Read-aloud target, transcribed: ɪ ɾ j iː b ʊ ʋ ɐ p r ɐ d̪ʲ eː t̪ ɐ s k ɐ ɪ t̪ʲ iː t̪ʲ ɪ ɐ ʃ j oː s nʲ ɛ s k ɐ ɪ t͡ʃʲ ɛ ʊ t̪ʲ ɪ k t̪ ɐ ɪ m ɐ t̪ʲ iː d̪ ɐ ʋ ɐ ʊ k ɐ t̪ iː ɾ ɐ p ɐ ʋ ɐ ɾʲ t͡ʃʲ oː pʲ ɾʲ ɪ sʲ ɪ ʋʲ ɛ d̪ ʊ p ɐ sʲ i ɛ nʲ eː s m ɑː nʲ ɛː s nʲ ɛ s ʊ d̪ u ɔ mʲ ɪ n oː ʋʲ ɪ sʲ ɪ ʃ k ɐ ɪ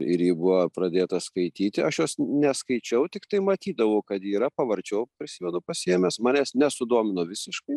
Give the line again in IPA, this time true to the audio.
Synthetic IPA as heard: ɪ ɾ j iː b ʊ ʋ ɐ p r ɐ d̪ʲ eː t̪ ɐ s k ɐ ɪ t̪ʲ iː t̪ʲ ɪ ɐ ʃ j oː s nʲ ɛ s k ɐ ɪ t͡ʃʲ ɛ ʊ t̪ʲ ɪ k t̪ ɐ ɪ m ɐ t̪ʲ iː d̪ ɐ ʋ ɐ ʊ k ɐ t̪ iː ɾ ɐ p ɐ ʋ ɐ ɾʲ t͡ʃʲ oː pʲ ɾʲ ɪ sʲ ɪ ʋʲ ɛ d̪ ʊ p ɐ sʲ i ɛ mʲ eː s m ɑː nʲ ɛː s nʲ ɛ s ʊ d̪ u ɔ mʲ ɪ n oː ʋʲ ɪ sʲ ɪ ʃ k ɐ ɪ

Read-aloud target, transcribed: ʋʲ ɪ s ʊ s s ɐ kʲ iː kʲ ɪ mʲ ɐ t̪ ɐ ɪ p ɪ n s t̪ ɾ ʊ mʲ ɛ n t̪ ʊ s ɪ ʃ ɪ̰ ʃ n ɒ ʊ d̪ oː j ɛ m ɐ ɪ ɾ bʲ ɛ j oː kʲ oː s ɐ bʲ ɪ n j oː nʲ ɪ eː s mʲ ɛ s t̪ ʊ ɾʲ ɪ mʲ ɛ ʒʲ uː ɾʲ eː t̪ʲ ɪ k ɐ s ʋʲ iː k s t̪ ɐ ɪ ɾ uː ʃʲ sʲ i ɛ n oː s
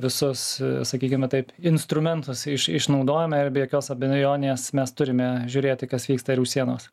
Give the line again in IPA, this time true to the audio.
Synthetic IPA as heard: ʋʲ ɪ s ʊ s s ɐ kʲ iː kʲ ɪ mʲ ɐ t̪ ɐ ɪ p ɪ n s t̪ ɾ ʊ mʲ ɛ n t̪ ʊ s ɪ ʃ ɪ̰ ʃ n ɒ ʊ d̪ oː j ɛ m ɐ ɪ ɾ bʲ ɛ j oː kʲ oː s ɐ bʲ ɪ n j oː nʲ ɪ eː s mʲ ɛ s t̪ ʊ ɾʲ ɪ mʲ ɛ ʒʲ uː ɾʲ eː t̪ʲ ɪ k ɐ s ʋʲ iː k s t̪ ɐ ɪ ɾ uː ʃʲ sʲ i ɛ n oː s

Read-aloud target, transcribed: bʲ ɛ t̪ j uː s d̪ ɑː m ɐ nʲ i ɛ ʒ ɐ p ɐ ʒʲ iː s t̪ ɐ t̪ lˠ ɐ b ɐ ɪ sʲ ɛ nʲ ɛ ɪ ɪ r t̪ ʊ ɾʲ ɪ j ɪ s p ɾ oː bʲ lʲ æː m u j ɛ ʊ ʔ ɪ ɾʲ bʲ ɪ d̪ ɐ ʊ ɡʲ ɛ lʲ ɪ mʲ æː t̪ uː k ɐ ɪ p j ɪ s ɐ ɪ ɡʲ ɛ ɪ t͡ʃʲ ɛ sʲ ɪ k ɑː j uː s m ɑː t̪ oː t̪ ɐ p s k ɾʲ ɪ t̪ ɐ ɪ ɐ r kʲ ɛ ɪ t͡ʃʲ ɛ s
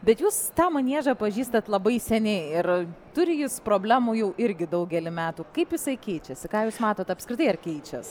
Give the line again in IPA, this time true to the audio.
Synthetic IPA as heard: bʲ ɛ t̪ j uː s t̪ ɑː m ɐ nʲ i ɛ ʒ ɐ p ɐ ʒʲ iː s t̪ ɐ t̪ lˠ ɐ b ɐ ɪ sʲ ɛ nʲ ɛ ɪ ɪ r t̪ ʊ ɾʲ ɪ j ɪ s p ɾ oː bʲ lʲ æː m u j ɛ ʊ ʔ ɪ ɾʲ ɡʲ ɪ d̪ ɐ ʊ ɡʲ ɛ lʲ ɪ mʲ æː t̪ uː k ɐ ɪ p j ɪ s ɐ ɪ kʲ ɛ ɪ t͡ʃʲ ɛ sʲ ɪ k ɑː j uː s m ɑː t̪ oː t̪ ɐ p s k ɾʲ ɪ t̪ ɐ ɪ ɐ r kʲ ɛ ɪ t͡ʃʲ ɛ s

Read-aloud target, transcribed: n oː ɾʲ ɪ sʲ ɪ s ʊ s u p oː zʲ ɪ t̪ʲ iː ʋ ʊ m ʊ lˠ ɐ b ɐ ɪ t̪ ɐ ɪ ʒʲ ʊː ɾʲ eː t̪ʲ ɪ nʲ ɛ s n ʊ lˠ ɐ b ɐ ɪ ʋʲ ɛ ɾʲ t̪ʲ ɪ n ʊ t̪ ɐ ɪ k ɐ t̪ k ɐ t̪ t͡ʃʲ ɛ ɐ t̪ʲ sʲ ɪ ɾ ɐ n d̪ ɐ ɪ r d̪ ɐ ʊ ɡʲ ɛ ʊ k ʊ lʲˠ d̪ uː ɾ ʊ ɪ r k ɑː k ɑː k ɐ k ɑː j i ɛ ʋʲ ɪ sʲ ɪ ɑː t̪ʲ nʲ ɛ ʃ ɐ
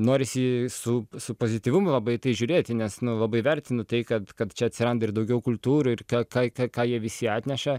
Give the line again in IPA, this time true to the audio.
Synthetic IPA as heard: n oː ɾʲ ɪ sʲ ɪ s ʊ s ʊ p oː zʲ ɪ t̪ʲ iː ʋ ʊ m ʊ lˠ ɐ b ɐ ɪ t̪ ɐ ɪ ʒʲ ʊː ɾʲ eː t̪ʲ ɪ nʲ ɛ s n ʊ lˠ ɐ b ɐ ɪ ʋʲ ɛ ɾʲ t̪ʲ ɪ n ʊ t̪ ɐ ɪ k ɐ t̪ k ɐ t̪ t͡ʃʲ ɛ ɐ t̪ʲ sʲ ɪ ɾ ɐ n d̪ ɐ ɪ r d̪ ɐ ʊ ɡʲ ɛ ʊ k ʊ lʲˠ t̪ uː ɾ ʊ ɪ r k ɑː k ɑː k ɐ k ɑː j i ɛ ʋʲ ɪ sʲ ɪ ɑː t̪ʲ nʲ ɛ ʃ ɐ

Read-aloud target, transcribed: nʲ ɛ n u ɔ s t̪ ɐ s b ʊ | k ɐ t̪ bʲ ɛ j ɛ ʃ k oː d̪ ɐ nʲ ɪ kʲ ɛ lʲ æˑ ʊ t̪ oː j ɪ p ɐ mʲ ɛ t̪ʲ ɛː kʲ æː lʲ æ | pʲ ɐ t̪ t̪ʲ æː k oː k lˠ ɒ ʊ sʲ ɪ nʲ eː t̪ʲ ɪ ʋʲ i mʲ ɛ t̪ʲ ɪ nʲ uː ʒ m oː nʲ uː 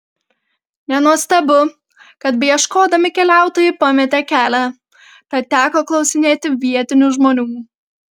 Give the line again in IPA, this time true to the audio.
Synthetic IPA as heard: nʲ ɛ n u ɔ s t̪ ɐ b ʊ | k ɐ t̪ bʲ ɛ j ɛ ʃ k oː d̪ ɐ mʲ ɪ kʲ ɛ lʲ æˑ ʊ t̪ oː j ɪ p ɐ mʲ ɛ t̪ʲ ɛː kʲ æː lʲ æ | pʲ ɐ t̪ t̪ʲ æː k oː k lˠ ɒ ʊ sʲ ɪ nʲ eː t̪ʲ ɪ ʋʲ i ɛ t̪ʲ ɪ nʲ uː ʒ m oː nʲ uː

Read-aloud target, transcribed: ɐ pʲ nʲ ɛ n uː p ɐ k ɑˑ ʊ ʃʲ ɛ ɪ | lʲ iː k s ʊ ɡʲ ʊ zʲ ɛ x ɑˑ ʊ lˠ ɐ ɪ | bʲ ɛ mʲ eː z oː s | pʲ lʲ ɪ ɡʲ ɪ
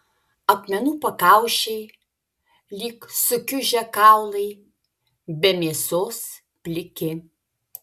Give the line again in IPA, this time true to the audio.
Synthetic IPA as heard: ɐ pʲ mʲ ɛ n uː p ɐ k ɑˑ ʊ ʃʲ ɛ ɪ | lʲ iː k s ʊ kʲ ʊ ʒʲ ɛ k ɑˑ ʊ lˠ ɐ ɪ | bʲ ɛ mʲ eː s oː s | pʲ lʲ ɪ kʲ ɪ

